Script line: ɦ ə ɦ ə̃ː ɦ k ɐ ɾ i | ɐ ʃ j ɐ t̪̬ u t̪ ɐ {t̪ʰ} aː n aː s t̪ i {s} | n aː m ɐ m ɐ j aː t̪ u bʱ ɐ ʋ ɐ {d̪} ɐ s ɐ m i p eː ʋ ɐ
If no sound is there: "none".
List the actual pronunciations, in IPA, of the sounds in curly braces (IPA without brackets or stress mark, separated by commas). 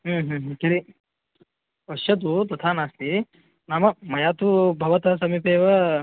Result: t̪ʰ, none, t̪